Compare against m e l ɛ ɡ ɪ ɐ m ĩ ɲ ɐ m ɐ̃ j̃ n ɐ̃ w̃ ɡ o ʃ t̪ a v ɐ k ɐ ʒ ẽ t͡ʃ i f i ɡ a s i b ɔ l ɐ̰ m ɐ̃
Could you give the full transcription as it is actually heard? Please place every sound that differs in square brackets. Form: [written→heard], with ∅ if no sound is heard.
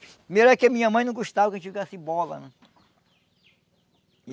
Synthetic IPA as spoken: m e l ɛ [ɡ→k] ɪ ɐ m ĩ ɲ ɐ m ɐ̃ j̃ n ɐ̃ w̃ ɡ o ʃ t̪ a v ɐ k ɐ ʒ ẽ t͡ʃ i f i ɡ a s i b ɔ l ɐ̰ [m→n] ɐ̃